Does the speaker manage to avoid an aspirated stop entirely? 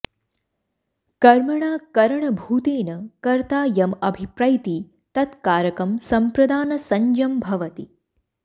yes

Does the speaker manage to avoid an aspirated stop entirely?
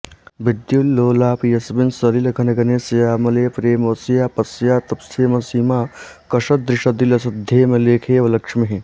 no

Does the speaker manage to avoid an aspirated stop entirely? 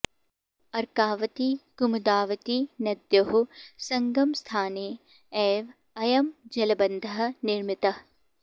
no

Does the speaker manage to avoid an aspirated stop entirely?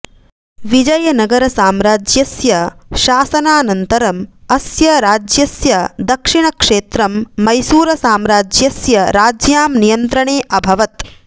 yes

